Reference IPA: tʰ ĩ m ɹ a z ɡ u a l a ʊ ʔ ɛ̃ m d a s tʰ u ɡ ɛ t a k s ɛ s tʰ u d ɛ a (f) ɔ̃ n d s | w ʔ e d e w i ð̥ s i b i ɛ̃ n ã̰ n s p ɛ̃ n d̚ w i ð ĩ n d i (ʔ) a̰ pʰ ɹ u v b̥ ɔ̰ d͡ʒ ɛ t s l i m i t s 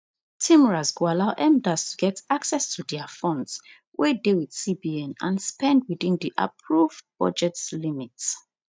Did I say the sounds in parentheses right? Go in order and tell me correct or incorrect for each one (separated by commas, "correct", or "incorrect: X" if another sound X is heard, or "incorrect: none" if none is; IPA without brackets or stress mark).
correct, correct